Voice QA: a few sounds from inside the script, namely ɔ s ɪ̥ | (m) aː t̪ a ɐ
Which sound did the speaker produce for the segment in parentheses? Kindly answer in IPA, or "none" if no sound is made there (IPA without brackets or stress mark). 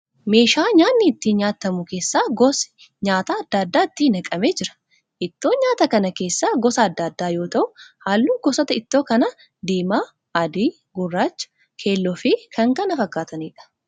ɲ